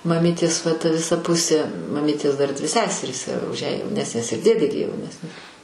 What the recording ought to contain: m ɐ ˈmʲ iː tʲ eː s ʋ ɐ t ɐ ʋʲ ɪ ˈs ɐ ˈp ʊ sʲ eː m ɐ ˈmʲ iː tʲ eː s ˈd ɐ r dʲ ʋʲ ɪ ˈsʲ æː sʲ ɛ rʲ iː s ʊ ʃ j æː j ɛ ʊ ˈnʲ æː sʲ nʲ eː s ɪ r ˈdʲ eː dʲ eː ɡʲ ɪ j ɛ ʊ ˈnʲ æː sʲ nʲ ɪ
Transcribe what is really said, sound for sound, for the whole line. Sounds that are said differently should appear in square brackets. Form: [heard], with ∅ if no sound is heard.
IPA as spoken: m ɐ ˈmʲ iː tʲ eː s ʋ ɐ t ɐ ʋʲ ɪ ˈs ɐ ˈp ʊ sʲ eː m ɐ ˈmʲ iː tʲ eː s ˈd ɐ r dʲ ʋʲ ɪ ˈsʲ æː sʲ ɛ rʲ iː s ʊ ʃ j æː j ɛ ʊ ˈnʲ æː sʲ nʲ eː s ɪ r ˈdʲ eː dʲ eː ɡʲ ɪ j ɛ ʊ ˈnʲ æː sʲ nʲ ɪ

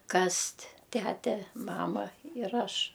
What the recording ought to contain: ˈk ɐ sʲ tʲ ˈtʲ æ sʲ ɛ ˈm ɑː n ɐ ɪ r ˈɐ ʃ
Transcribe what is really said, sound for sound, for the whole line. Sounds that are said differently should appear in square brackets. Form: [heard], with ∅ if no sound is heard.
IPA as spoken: ˈk ɐ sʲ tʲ ˈtʲ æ [tʲ] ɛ ˈm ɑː [m] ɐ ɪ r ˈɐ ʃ

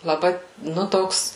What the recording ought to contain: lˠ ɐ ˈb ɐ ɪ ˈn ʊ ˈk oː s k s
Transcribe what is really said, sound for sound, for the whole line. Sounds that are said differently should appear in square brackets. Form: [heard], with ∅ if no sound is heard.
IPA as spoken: lˠ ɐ ˈb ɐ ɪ ˈn ʊ [ˈt] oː [∅] k s

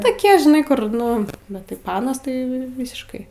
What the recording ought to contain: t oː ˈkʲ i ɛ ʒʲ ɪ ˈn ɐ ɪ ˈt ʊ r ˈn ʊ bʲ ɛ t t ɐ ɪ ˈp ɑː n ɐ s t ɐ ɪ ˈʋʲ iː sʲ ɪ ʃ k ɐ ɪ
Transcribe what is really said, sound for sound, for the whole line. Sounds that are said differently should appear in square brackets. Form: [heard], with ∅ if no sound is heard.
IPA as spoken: t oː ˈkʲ i ɛ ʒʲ ɪ ˈn ɐ ɪ [ˈk] ʊ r ˈn ʊ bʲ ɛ t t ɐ ɪ ˈp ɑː n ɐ s t ɐ ɪ ˈʋʲ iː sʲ ɪ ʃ k ɐ ɪ

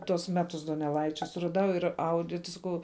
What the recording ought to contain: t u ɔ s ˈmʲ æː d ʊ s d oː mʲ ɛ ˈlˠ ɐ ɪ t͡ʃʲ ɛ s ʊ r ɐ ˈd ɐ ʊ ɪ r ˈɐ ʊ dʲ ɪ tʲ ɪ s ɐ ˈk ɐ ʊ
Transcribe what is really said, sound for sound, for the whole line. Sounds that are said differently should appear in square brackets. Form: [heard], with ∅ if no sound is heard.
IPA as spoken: t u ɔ s ˈmʲ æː [t] ʊ s d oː [nʲ] ɛ ˈlˠ ɐ ɪ t͡ʃʲ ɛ s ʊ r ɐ ˈd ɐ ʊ ɪ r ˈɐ ʊ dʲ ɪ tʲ ɪ s ɐ ˈk ɐ ʊ

